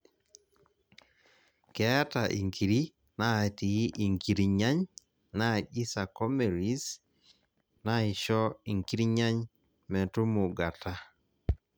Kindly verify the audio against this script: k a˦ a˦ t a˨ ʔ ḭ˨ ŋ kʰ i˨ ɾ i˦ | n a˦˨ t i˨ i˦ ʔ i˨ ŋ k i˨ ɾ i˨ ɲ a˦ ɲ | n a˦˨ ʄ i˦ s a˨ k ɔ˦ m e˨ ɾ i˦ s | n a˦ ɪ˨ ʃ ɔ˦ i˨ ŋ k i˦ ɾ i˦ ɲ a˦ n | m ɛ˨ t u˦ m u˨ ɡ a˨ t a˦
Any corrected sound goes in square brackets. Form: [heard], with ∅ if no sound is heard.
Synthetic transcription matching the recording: k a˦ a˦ t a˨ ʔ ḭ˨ ŋ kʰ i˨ ɾ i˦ | n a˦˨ t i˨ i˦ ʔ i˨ ŋ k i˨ ɾ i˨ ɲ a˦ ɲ | n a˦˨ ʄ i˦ s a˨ k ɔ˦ m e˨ ɾ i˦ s | n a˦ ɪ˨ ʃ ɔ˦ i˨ ŋ k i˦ ɾ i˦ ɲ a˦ [ɲ] | m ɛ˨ t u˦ m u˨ ɡ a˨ t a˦